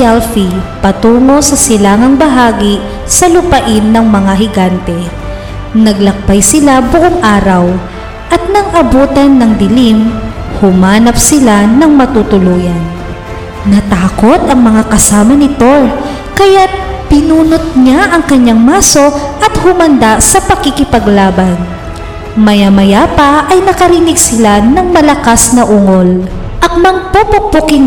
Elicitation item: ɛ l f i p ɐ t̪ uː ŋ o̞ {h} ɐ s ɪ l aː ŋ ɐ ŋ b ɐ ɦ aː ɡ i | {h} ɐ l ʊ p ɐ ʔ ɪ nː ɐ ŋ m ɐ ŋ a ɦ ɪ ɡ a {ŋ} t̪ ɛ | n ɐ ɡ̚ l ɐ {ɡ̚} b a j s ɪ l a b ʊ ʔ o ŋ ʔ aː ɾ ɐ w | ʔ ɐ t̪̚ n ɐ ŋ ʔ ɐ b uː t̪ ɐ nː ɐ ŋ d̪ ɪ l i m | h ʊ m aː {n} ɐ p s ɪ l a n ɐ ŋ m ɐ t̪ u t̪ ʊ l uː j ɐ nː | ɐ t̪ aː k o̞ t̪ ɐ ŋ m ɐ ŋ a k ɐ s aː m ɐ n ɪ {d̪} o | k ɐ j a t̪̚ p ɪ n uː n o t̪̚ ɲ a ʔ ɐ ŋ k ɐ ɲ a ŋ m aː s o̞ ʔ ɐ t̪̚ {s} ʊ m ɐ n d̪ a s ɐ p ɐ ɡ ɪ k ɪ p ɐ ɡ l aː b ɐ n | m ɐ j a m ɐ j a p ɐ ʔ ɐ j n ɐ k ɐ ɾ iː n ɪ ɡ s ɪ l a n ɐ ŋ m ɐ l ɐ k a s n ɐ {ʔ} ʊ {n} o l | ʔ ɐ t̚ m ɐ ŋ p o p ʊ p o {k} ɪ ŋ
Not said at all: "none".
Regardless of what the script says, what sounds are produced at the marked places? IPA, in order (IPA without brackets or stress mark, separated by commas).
s, s, n, k̚, n, t̪, h, ʔ, ŋ, k